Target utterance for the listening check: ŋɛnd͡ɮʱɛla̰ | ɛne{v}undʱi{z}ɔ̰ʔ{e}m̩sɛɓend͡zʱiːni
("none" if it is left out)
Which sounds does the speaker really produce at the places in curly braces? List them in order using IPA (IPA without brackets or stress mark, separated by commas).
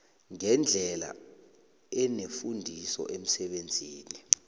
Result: f, s, e